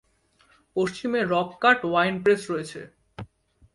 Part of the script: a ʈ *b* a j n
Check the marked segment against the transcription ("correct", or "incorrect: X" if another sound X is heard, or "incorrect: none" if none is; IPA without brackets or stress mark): incorrect: w